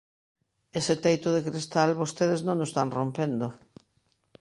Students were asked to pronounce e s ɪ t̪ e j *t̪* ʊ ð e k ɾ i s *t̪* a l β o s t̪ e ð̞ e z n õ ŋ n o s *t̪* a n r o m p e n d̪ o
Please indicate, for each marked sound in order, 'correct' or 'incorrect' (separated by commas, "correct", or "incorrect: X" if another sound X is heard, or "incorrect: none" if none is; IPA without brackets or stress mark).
correct, correct, correct